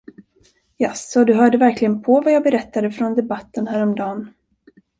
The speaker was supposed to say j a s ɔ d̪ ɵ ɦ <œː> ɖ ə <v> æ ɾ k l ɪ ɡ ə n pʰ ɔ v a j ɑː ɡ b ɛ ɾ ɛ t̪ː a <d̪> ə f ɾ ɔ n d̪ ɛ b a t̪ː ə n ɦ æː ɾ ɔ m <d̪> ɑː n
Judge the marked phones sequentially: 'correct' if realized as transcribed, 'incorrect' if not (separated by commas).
correct, correct, correct, correct